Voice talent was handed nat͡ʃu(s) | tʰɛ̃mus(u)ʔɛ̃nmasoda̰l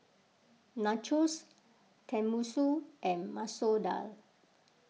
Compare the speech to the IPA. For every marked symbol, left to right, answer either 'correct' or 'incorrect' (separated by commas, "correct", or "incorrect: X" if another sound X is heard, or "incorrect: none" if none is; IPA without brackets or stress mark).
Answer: correct, correct